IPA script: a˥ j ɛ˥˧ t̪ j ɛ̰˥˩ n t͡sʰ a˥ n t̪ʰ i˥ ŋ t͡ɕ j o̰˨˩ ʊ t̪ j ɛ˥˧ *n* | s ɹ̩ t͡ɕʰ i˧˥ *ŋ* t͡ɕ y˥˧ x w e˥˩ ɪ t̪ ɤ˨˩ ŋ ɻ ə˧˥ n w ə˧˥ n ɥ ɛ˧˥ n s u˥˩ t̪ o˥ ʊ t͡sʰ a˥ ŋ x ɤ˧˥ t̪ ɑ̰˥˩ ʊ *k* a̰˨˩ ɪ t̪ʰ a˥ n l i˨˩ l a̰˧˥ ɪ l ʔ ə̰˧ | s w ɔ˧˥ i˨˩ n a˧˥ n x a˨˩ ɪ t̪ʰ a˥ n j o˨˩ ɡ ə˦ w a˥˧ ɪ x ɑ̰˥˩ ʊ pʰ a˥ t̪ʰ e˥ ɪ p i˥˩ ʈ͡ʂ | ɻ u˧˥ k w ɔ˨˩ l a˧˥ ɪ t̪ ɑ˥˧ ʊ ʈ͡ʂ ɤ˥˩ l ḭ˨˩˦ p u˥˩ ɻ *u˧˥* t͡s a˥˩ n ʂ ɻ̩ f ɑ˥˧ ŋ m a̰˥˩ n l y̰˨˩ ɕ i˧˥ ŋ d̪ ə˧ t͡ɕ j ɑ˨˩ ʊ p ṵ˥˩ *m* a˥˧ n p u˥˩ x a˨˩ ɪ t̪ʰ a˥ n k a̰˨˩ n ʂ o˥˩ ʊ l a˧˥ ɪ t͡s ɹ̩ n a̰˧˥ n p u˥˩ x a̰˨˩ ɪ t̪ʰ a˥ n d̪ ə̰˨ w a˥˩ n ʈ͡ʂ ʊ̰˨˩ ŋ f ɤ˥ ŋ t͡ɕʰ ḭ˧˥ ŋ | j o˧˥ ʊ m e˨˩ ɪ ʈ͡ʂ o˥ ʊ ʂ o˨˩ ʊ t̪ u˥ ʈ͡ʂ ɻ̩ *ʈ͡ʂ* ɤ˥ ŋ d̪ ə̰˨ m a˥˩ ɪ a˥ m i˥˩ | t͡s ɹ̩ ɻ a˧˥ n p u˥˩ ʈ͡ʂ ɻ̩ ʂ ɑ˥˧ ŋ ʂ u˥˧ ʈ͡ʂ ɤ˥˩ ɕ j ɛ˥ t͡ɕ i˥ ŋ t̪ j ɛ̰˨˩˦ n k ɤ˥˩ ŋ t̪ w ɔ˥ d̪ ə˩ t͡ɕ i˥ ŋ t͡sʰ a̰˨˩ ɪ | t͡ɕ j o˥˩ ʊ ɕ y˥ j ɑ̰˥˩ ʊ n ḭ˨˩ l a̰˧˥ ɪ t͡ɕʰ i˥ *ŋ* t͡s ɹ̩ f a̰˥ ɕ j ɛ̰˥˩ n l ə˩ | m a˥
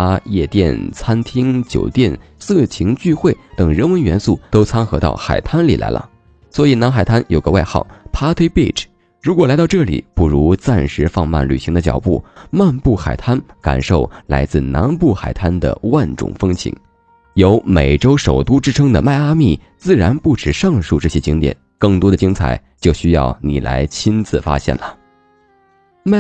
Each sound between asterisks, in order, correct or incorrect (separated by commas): correct, correct, incorrect, correct, correct, incorrect, incorrect